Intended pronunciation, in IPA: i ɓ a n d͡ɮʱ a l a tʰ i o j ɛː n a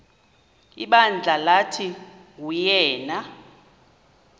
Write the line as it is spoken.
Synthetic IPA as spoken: i ɓ a n d͡ɮʱ a l a tʰ i u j ɛː n a